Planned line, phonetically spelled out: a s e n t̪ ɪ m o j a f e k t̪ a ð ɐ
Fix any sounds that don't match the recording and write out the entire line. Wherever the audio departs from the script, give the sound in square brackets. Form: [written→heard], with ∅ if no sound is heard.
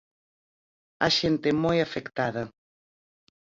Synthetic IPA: a [s→ʃ] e n t̪ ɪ m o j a f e k t̪ a ð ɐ